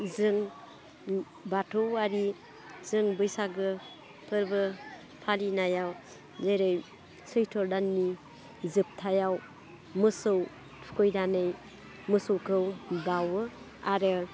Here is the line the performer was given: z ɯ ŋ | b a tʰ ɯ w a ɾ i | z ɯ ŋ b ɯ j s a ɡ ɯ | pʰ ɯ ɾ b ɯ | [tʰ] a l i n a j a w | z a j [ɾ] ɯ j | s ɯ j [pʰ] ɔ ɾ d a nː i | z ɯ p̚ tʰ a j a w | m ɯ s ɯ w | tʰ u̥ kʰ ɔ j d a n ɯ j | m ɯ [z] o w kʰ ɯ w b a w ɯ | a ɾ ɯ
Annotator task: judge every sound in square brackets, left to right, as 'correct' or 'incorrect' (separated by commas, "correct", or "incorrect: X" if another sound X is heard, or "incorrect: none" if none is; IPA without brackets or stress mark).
incorrect: pʰ, correct, incorrect: tʰ, incorrect: s